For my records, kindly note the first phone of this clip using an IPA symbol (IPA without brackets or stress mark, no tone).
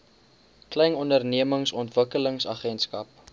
k